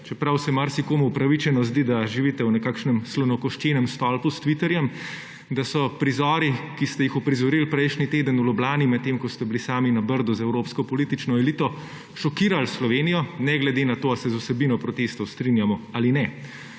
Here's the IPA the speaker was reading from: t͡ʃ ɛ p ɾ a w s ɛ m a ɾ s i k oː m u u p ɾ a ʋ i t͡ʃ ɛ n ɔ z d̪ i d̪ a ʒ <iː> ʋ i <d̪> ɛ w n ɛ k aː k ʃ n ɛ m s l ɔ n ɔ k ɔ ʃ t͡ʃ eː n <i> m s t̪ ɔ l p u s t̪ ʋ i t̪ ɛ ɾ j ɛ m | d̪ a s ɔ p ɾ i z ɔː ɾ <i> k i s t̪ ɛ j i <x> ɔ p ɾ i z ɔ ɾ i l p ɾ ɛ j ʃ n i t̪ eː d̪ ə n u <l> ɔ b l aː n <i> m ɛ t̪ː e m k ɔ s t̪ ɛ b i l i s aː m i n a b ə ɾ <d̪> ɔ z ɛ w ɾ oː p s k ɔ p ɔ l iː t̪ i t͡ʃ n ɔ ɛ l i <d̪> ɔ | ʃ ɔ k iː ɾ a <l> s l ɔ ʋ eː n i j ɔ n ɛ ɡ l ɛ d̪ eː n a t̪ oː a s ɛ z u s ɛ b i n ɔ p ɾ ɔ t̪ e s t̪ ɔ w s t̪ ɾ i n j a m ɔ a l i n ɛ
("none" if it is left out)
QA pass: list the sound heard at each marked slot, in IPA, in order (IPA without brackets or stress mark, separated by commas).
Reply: i, t̪, ɛ, i, x, l, i, d̪, t̪, l